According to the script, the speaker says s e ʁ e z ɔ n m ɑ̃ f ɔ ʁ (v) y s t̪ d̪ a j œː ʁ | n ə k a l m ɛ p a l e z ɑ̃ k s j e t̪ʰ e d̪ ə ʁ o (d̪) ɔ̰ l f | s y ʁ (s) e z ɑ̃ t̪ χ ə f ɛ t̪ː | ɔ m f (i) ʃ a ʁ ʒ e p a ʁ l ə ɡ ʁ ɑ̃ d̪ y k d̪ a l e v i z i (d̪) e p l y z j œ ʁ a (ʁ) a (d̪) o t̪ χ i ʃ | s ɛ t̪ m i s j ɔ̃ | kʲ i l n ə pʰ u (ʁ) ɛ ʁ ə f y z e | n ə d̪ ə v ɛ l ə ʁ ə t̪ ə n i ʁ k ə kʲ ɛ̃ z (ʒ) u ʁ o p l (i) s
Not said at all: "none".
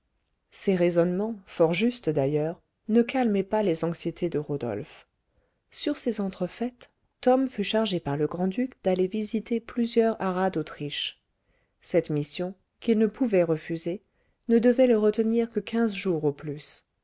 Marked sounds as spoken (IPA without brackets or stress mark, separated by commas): ʒ, d̪, s, y, t̪, ʁ, d̪, v, ʒ, y